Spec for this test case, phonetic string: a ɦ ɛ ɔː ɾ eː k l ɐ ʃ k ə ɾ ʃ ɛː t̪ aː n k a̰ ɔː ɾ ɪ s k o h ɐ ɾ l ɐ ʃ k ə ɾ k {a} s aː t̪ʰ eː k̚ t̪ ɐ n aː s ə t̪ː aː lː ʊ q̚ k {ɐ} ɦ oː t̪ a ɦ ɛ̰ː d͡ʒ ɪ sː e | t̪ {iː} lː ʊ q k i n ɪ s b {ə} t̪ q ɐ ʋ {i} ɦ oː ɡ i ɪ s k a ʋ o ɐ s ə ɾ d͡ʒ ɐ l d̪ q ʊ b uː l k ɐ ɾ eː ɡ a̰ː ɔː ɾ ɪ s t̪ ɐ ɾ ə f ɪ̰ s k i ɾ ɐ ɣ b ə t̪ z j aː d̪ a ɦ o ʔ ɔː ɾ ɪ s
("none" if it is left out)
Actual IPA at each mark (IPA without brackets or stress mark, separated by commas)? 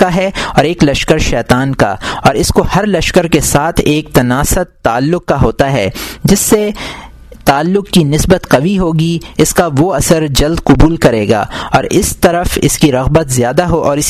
e, a, aː, ə, i